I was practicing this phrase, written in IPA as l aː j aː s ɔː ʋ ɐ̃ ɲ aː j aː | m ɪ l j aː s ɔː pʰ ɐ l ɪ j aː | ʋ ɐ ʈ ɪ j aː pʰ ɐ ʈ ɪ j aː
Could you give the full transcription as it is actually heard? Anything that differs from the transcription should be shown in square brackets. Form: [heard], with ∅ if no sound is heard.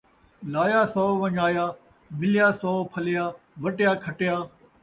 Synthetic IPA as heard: l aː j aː s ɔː ʋ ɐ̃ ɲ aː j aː | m ɪ l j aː s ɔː pʰ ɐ l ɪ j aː | ʋ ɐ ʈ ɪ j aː [kʰ] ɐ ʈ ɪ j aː